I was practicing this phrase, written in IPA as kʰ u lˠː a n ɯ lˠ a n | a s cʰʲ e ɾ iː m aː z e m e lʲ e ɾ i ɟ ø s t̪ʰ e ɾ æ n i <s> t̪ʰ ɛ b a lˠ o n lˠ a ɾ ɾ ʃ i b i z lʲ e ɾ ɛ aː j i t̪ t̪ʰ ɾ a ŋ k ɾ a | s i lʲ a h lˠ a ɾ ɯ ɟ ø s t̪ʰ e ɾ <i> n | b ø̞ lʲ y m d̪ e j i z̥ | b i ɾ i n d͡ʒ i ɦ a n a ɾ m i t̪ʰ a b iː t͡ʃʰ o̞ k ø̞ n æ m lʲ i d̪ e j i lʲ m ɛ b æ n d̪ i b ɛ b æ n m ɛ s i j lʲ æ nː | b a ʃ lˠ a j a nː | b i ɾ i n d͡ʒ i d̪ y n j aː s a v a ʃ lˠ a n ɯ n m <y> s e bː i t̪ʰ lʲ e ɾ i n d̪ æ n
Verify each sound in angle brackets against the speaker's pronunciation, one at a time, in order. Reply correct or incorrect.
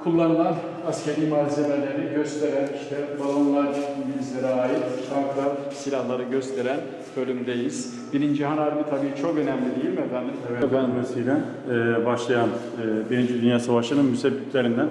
incorrect, incorrect, correct

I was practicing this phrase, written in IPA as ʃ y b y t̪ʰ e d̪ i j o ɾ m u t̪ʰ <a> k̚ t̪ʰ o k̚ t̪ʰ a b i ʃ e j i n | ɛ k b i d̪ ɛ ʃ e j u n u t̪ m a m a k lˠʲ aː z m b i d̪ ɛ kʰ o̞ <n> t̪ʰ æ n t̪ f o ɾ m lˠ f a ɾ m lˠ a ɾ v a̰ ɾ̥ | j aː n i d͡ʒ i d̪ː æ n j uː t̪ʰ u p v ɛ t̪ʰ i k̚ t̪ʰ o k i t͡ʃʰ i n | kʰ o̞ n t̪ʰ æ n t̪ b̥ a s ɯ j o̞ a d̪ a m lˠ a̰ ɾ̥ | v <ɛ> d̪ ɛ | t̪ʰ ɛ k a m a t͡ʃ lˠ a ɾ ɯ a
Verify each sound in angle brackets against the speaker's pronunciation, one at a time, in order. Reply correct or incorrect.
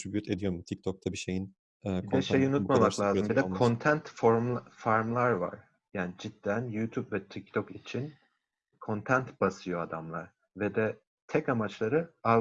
incorrect, correct, correct

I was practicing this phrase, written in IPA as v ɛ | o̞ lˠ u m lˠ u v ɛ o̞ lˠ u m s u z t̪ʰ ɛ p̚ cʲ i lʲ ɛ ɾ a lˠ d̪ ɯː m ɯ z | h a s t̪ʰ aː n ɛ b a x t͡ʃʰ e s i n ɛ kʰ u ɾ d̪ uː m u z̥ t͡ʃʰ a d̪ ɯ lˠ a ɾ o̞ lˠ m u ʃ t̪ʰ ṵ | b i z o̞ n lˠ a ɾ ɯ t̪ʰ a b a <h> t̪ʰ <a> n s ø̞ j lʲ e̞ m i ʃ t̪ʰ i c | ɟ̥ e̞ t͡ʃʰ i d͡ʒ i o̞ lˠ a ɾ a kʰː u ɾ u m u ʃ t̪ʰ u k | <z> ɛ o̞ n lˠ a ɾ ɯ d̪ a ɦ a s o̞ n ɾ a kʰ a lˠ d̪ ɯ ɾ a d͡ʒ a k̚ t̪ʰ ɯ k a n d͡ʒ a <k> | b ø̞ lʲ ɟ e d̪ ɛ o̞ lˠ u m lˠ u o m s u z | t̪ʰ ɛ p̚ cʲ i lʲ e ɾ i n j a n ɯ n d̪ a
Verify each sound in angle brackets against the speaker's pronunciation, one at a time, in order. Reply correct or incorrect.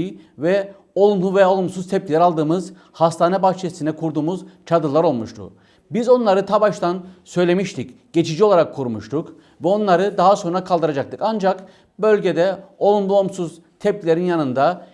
incorrect, correct, incorrect, correct

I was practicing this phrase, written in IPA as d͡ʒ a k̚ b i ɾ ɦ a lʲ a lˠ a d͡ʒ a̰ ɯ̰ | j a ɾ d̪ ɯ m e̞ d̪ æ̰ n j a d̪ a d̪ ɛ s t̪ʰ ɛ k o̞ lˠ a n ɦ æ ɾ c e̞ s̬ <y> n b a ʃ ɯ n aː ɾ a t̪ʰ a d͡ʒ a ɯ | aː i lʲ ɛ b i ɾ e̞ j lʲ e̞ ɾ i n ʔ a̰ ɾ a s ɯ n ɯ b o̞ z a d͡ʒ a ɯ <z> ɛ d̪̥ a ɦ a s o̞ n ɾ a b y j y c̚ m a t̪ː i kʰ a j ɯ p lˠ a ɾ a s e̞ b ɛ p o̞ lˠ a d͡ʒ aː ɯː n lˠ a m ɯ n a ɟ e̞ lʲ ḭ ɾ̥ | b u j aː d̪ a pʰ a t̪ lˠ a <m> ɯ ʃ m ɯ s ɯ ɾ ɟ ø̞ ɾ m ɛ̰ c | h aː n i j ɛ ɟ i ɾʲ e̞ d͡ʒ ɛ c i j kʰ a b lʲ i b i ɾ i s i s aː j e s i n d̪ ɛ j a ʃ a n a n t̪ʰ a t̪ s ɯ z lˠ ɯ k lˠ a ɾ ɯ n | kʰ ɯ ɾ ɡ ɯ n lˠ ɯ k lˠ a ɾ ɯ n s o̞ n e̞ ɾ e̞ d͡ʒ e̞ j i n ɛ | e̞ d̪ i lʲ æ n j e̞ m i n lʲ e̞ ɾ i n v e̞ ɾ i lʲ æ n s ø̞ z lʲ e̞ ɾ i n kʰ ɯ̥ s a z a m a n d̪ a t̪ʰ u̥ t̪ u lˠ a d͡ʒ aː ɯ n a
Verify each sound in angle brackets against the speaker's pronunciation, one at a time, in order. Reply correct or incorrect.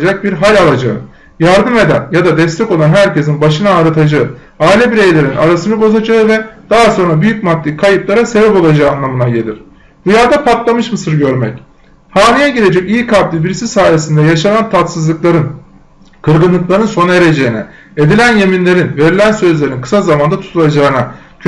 incorrect, incorrect, correct

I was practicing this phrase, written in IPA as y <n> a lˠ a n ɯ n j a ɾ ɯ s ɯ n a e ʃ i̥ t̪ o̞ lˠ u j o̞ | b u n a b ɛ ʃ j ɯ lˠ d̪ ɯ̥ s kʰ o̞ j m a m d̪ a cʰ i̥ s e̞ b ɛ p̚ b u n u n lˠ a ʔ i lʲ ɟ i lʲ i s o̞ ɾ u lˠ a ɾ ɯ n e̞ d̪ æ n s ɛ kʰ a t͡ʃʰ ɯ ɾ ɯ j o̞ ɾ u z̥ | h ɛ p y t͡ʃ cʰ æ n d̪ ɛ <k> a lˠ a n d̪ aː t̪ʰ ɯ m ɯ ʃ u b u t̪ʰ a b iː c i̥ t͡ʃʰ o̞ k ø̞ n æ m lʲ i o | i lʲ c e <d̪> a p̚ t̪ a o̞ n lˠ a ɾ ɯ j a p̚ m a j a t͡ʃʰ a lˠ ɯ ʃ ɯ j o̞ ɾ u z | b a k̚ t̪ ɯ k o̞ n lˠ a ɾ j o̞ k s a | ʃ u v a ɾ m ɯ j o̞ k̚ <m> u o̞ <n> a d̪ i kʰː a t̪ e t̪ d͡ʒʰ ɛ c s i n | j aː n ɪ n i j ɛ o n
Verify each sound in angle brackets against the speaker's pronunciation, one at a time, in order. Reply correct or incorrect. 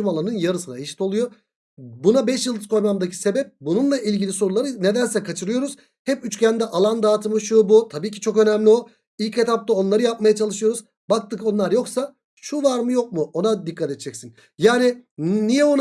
incorrect, incorrect, incorrect, correct, correct

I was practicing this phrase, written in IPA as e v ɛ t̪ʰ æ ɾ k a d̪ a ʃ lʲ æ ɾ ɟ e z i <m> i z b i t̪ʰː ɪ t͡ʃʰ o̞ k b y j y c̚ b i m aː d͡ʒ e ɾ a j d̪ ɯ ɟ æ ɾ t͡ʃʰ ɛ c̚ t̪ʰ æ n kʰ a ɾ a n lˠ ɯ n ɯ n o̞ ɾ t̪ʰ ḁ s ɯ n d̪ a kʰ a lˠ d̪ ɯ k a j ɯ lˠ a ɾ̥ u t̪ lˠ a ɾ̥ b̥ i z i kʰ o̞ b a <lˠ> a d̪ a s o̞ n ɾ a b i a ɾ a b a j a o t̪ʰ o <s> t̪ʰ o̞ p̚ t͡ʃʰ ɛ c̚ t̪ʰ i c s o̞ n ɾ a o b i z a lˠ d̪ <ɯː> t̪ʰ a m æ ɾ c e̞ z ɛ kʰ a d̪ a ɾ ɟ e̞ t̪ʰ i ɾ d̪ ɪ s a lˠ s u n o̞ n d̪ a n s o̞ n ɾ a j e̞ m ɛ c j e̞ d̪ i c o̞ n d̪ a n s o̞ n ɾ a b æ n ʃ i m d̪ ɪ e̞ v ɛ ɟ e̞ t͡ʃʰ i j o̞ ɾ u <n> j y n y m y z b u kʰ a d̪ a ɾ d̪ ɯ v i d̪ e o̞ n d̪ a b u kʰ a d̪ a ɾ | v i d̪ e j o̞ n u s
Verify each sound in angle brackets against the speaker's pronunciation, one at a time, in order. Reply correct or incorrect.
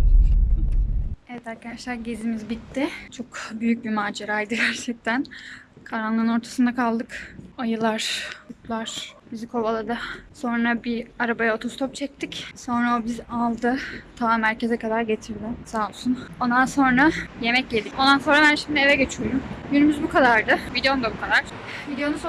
correct, correct, correct, incorrect, incorrect

